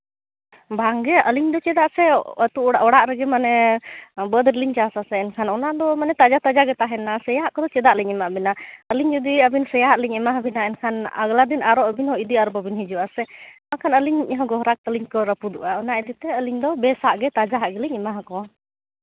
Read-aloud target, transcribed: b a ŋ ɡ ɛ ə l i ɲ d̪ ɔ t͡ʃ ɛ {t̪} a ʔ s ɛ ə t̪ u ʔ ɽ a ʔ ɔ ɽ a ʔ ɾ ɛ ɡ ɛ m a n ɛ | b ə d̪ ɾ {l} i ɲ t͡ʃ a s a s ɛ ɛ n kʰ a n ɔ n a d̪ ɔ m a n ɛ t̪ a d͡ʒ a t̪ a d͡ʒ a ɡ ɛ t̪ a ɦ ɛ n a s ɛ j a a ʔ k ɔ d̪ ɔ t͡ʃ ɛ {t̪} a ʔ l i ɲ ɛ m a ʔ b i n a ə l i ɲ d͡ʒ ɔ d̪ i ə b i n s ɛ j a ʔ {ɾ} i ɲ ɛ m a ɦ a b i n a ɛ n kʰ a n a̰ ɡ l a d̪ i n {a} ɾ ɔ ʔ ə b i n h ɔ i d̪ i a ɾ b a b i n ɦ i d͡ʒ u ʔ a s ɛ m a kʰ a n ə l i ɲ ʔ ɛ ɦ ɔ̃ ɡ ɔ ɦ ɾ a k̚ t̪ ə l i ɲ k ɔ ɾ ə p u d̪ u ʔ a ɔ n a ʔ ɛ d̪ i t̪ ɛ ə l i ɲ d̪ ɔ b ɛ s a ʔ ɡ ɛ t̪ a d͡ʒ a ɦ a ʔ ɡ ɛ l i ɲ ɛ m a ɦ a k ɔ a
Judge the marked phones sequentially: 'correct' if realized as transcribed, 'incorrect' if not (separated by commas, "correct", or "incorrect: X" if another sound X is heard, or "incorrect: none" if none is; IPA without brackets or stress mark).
incorrect: d̪, correct, incorrect: d̪, incorrect: l, correct